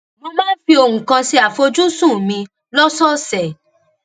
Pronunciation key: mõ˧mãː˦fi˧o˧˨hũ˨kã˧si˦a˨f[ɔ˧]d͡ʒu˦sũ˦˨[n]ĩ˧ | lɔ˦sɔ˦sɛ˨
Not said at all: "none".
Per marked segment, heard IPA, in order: o˧, m

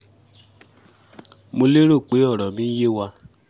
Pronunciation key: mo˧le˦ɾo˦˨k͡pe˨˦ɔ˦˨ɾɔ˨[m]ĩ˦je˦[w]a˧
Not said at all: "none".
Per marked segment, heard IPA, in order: m, w

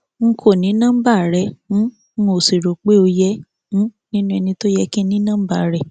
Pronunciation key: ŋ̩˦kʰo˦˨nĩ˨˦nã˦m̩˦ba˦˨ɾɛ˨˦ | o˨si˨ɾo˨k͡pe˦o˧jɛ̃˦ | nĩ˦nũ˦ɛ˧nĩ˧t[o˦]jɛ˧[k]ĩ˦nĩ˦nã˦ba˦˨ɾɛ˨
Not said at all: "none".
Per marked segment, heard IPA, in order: o˦, k

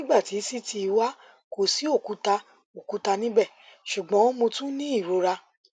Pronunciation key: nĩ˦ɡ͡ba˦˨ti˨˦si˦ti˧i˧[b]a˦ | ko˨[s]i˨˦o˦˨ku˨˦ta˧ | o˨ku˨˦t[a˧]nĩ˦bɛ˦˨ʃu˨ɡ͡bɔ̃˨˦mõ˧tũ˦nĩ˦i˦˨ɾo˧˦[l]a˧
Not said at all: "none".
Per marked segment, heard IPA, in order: w, s, a˧, ɾ

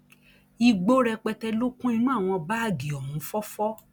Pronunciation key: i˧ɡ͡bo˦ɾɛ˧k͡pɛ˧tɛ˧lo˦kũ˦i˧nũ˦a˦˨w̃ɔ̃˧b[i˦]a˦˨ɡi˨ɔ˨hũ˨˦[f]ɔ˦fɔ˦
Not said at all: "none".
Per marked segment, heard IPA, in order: a˦, f

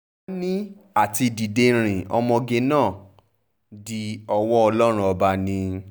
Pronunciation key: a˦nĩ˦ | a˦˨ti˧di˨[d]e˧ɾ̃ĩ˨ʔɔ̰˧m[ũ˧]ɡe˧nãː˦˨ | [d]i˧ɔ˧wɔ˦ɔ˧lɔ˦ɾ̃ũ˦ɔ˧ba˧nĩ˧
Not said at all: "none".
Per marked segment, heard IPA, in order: d, ɔ̃˧, d

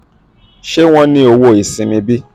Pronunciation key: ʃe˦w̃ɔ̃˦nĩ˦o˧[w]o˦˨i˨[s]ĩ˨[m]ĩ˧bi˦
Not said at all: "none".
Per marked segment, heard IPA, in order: w, s, m

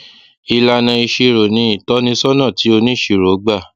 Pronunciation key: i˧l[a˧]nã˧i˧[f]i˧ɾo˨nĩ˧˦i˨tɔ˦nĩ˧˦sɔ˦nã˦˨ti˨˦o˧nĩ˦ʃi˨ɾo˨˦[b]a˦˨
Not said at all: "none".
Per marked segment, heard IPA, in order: a˧, ʃ, ɡ͡b

